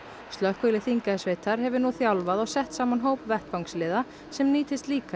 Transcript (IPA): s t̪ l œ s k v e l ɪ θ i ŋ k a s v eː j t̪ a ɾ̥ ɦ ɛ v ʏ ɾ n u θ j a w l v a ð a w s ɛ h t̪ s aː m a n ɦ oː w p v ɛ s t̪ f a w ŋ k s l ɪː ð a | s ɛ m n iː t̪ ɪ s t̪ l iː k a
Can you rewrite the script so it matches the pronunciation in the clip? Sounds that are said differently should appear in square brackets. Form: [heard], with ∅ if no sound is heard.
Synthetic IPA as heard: s t̪ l œ [h] k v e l ɪ θ i ŋ k a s v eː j t̪ a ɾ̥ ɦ ɛ v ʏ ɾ n u θ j a w l v a ð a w s ɛ h t̪ s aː m a n ɦ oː w p v ɛ [h] t̪ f a w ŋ k s l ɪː ð a | s ɛ m n iː t̪ ɪ s t̪ l iː k a